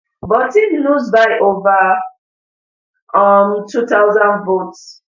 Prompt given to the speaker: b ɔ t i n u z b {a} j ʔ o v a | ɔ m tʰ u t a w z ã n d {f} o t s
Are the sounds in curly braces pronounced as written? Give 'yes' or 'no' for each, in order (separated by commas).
yes, no